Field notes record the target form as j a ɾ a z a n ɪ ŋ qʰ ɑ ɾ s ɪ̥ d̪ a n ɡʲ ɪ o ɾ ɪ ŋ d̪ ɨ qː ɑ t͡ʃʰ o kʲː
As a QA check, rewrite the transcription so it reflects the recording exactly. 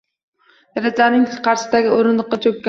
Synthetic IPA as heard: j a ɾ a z a n ɪ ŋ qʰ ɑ ɾ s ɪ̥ d̪ a ɡʲ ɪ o ɾ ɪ n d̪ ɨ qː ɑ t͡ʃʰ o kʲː